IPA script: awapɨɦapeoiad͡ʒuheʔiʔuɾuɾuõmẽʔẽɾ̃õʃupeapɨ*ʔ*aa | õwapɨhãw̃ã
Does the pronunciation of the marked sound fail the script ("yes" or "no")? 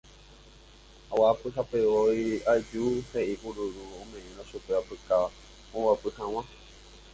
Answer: yes